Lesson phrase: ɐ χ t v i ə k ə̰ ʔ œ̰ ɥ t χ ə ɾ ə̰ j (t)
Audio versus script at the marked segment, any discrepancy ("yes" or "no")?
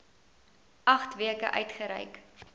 yes